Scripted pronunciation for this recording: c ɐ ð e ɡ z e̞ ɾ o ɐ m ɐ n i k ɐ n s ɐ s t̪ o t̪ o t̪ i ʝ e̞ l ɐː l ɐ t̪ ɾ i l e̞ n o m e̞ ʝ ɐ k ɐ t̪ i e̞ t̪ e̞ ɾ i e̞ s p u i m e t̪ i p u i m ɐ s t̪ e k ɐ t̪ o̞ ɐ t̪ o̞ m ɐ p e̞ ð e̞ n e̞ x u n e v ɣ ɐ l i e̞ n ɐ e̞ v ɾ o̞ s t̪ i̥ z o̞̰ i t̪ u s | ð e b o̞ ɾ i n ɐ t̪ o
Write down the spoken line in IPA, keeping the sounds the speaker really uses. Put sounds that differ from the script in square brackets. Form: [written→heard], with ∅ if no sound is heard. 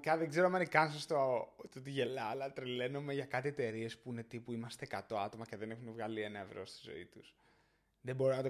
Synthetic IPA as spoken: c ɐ ð e ɡ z e̞ ɾ o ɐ m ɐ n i k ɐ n s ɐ s t̪ o t̪ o t̪ i ʝ e̞ l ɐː l ɐ t̪ ɾ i l e̞ n o m e̞ ʝ ɐ k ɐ t̪ i e̞ t̪ e̞ ɾ i e̞ s p u i [m→n] e t̪ i p u i m ɐ s t̪ e k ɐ t̪ o̞ ɐ t̪ o̞ m ɐ [p→c] e̞ ð e̞ n e̞ x u n e v ɣ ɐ l i e̞ n ɐ e̞ v ɾ o̞ s t̪ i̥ z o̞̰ i t̪ u s | ð e b o̞ ɾ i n ɐ t̪ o